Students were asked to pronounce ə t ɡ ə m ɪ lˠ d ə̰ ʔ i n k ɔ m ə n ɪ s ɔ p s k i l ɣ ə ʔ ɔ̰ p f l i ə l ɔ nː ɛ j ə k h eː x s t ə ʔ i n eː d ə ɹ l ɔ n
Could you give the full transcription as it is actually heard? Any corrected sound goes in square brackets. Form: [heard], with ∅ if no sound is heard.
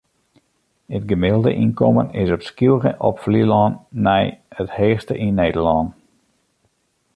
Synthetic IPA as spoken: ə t ɡ ə m ɪ lˠ d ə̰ ʔ i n k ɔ m ə n ɪ s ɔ p s k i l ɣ ə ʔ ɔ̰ p f l i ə l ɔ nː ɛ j ə [t] h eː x s t ə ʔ i n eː d ə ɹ l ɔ n